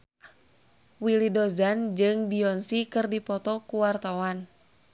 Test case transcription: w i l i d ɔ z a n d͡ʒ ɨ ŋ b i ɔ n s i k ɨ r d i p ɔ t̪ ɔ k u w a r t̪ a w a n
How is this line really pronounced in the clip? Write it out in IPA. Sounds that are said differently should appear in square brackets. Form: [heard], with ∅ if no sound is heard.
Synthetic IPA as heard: w i l i d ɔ z a n d͡ʒ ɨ ŋ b i ɔ n s i k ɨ r d i p ɔ t̪ ɔ k u w a r t̪ a w a n